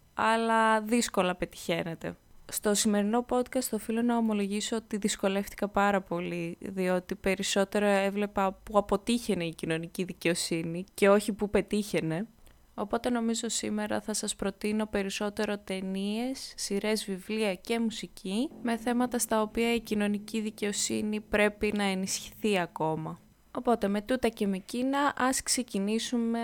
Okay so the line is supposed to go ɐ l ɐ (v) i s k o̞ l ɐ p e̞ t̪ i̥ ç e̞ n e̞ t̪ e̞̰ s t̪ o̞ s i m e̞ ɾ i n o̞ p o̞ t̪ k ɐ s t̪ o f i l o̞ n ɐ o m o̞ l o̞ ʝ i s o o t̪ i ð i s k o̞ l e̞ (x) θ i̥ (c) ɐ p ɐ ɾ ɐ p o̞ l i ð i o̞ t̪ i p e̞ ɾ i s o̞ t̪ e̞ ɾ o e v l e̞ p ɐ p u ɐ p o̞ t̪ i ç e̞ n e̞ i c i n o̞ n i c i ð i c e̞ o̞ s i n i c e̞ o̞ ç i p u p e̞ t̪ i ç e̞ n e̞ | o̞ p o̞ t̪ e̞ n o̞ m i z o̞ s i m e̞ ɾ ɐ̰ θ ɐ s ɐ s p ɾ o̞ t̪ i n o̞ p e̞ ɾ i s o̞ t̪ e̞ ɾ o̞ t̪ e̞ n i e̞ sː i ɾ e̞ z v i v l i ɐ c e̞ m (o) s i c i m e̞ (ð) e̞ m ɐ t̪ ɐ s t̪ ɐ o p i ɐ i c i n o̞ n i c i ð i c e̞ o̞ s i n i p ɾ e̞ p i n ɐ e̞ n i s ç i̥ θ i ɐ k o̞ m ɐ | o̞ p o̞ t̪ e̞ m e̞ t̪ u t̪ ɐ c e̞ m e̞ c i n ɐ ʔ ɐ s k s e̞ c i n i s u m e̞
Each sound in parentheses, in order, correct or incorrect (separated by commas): incorrect, incorrect, incorrect, incorrect, incorrect